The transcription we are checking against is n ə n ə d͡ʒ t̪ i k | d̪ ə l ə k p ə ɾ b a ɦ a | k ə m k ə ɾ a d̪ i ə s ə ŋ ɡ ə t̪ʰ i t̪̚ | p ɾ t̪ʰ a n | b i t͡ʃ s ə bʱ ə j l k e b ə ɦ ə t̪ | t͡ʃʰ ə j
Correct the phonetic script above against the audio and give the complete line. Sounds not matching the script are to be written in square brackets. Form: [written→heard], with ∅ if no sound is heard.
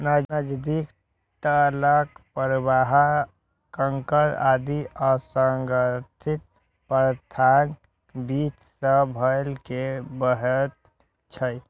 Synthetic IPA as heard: n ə n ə d͡ʒ [t̪→d̪] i k | [d̪→t̪] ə l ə k p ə ɾ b a ɦ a | k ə [m→ŋ] k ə ɾ a d̪ i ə s ə ŋ ɡ ə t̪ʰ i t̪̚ | p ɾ t̪ʰ a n | b i t͡ʃ s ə bʱ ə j l k e b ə ɦ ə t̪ | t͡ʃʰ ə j